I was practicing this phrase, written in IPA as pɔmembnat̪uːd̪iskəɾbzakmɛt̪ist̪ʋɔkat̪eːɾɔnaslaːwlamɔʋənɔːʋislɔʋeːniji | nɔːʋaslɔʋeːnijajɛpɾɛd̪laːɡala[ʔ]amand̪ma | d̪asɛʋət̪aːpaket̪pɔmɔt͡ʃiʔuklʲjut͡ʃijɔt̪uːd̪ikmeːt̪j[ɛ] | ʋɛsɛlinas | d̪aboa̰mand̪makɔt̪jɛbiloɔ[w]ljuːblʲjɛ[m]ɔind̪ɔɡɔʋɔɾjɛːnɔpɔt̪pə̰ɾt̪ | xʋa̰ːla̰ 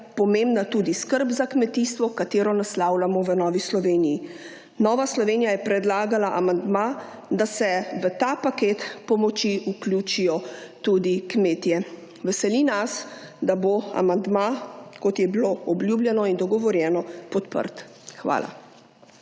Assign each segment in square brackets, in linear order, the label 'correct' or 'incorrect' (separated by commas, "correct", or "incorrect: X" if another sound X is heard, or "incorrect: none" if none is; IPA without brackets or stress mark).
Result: correct, correct, incorrect: b, incorrect: n